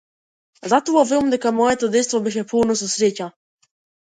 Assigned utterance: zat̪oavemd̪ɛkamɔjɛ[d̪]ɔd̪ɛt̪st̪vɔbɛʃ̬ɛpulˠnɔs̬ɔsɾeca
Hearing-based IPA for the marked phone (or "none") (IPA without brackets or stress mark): t̪